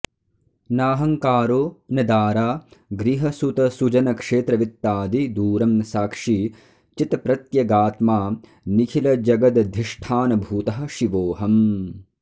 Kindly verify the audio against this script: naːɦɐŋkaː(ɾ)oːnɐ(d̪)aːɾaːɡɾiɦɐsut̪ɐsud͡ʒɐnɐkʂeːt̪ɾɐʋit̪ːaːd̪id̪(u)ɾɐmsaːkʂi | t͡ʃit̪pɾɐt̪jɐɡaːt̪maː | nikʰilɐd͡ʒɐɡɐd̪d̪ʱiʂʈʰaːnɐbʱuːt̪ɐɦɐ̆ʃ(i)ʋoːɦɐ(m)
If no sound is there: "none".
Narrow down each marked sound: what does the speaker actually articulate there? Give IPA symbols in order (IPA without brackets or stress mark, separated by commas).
ɾ, d̪, uː, i, m